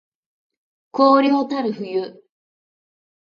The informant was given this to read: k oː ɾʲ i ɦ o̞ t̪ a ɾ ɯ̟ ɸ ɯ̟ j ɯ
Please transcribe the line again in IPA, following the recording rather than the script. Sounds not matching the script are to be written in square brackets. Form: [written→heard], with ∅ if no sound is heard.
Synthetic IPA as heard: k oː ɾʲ i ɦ o̞ t̪ a ɾ ɯ̟ ɸ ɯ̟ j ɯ